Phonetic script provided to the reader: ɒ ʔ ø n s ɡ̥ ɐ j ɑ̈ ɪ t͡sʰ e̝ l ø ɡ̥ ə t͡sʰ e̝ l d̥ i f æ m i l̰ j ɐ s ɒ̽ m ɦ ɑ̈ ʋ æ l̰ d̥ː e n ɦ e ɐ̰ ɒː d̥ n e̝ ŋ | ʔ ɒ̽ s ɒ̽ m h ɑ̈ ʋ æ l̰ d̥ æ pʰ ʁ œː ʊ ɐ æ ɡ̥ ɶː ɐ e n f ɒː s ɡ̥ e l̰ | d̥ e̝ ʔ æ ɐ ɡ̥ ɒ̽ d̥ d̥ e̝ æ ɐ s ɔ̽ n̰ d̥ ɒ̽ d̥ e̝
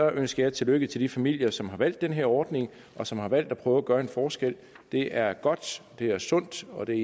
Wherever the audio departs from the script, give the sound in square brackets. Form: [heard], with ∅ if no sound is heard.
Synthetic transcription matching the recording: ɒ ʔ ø n s ɡ̥ ɐ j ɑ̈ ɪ t͡sʰ e̝ l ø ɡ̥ ə t͡sʰ e̝ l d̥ i f æ m i l̰ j ɐ s ɒ̽ m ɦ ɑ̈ ʋ æ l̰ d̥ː e n ɦ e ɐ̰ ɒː d̥ n e̝ ŋ | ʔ ɒ̽ s ɒ̽ m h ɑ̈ ʋ æ l̰ d̥ æ pʰ ʁ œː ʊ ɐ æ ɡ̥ ɶː ɐ e n f ɒː s ɡ̥ e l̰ | d̥ e̝ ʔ æ ɐ ɡ̥ ɒ̽ d̥ d̥ e̝ æ ɐ s ɔ̽ n̰ d̥ ɒ̽ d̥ e̝